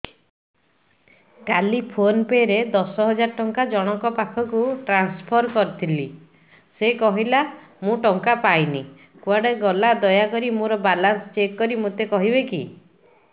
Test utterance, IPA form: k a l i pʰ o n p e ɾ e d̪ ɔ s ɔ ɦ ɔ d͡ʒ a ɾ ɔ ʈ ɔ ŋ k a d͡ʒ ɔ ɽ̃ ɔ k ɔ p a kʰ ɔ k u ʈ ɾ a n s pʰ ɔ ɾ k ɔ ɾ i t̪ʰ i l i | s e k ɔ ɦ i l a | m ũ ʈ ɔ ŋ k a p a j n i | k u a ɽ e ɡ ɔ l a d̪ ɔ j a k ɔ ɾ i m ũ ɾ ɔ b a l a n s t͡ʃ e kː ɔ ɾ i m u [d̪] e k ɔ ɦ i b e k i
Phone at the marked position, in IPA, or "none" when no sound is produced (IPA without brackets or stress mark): t̪